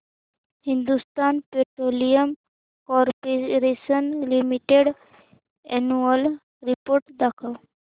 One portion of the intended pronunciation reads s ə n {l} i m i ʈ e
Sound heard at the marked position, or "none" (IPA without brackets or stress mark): l